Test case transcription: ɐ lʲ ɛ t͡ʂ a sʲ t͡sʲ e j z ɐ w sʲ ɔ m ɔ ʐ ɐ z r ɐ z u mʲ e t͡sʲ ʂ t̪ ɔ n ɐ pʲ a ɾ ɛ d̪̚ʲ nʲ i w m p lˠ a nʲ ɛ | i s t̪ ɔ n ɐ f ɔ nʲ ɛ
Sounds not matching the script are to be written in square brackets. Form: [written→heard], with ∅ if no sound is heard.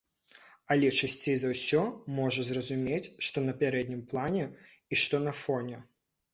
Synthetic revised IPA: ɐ lʲ ɛ t͡ʂ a sʲ t͡sʲ e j z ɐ w sʲ ɔ m ɔ ʐ ɐ z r ɐ z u mʲ e t͡sʲ ʂ t̪ ɔ n ɐ pʲ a ɾ ɛ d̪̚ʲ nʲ i [w→∅] m p lˠ a nʲ ɛ | i [s→ʂ] t̪ ɔ n ɐ f ɔ nʲ ɛ